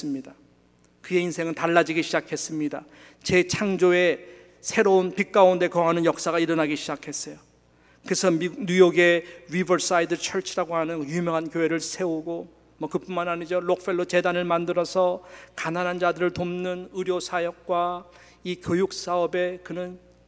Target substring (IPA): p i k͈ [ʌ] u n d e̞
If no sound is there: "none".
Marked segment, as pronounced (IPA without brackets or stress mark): a